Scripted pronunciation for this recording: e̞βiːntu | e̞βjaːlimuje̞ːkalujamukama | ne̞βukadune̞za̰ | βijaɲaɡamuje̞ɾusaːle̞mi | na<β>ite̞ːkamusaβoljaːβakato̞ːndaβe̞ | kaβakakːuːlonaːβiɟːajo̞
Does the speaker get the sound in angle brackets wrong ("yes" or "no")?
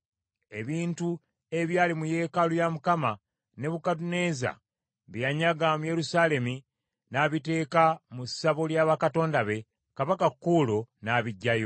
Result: no